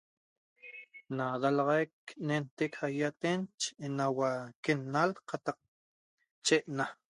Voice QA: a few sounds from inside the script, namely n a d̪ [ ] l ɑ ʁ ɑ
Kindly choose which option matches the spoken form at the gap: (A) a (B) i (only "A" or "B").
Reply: A